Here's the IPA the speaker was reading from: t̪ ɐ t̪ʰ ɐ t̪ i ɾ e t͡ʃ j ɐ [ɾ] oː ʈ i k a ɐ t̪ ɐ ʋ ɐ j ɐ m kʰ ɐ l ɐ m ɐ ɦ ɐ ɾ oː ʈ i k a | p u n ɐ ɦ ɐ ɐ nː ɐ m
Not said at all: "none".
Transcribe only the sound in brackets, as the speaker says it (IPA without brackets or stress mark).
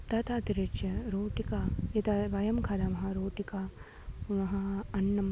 ɾ